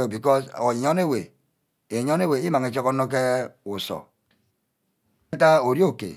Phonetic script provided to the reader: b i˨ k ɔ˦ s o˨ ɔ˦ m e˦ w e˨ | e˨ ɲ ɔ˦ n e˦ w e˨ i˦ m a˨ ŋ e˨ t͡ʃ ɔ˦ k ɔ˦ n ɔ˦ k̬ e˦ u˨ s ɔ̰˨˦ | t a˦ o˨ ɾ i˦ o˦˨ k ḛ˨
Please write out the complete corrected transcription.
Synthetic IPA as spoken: b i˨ k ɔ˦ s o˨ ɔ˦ n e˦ w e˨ | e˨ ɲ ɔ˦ n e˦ w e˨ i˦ m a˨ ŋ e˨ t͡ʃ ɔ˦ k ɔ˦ n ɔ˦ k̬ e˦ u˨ s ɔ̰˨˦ | t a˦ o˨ ɾ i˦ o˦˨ k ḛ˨

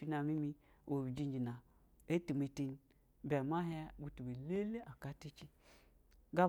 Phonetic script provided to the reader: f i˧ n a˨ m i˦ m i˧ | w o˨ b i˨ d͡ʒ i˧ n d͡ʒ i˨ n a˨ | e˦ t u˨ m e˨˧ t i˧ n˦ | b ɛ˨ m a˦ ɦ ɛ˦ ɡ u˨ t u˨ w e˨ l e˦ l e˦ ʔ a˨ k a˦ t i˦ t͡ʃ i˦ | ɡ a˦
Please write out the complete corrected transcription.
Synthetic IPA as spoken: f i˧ n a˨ m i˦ m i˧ | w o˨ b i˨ d͡ʒ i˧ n d͡ʒ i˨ n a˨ | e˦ t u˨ m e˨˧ t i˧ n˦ | b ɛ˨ m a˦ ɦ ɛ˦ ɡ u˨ t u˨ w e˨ l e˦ l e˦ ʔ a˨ k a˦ t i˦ t͡ʃ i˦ | ɡ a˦

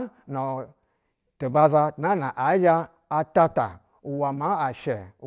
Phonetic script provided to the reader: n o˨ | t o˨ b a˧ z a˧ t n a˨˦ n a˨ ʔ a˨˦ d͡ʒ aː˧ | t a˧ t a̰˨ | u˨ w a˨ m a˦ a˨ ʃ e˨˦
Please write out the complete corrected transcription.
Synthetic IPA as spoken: n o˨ | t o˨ b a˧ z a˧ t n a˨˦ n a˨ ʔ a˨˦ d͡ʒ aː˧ | t a˧ t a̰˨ | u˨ w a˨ m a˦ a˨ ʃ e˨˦

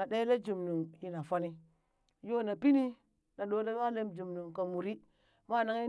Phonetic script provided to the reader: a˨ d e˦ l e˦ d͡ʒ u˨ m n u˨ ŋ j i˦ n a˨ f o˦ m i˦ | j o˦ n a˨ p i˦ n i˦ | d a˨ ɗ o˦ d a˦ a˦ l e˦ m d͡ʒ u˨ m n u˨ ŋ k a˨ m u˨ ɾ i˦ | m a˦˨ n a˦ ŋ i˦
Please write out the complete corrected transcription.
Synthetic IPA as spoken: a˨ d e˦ l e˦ d͡ʒ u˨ m n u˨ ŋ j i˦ n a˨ f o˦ n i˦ | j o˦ n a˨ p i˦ n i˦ | n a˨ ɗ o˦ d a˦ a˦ l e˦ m d͡ʒ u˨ m n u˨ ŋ k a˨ m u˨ ɾ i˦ | m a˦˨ n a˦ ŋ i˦

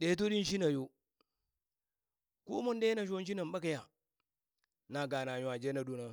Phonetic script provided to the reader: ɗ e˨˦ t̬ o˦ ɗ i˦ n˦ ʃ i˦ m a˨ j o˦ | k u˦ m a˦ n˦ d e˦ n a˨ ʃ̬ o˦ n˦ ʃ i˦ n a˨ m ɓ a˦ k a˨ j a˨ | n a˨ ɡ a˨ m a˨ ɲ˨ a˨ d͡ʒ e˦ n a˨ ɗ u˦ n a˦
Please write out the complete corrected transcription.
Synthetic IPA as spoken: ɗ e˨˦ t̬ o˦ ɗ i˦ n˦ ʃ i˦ n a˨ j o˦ | k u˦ m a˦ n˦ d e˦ n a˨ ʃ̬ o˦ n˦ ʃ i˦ n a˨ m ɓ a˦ k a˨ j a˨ | n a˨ ɡ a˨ n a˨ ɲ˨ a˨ d͡ʒ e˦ n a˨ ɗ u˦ n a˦

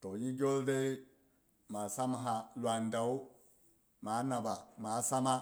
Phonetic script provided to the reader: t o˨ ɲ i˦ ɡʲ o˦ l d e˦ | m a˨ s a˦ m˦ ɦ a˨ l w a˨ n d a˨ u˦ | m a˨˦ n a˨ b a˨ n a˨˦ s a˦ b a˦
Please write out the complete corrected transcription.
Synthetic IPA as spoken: t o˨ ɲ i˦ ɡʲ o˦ l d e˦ | m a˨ s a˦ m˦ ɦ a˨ l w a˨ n d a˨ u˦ | m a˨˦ n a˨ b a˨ m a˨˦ s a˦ m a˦

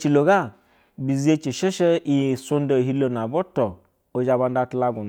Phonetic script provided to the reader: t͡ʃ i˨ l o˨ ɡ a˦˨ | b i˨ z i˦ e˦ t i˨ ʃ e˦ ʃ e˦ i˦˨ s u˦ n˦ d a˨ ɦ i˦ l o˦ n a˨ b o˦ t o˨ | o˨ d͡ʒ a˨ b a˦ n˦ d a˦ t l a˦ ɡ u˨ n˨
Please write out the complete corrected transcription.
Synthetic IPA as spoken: t͡ʃ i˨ l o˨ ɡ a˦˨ | b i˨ z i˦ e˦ t͡ʃ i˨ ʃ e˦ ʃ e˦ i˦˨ s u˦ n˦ d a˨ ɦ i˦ l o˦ n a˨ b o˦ t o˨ | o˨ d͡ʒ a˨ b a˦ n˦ d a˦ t l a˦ ɡ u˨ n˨

